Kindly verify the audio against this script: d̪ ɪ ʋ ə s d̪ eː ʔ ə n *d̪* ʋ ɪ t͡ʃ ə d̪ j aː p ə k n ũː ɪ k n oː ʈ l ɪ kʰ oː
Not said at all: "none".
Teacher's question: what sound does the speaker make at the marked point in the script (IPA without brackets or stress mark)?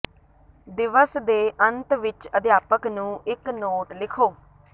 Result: t̪